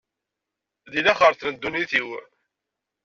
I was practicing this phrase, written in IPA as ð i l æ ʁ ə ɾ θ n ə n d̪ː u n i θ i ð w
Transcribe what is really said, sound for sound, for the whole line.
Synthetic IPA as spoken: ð i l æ χ ə ɾ θ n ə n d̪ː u n i θ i w

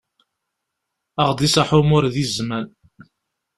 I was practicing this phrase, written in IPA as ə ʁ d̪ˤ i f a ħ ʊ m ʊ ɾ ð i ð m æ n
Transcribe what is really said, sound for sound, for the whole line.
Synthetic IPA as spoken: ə ʁ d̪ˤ i s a ħ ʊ m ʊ ɾ ð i z m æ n

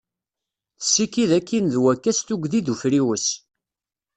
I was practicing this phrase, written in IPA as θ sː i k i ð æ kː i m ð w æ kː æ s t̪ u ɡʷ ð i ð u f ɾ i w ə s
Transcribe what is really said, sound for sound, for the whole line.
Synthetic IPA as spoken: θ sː i k i ð æ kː i n ð w æ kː æ s t̪ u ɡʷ ð i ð u f ɾ i w ə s

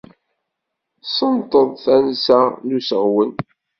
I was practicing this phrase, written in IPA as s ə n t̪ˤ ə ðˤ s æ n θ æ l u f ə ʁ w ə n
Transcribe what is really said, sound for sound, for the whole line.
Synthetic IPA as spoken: s ə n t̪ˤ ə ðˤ θ æ n s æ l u s ə ʁ w ə n

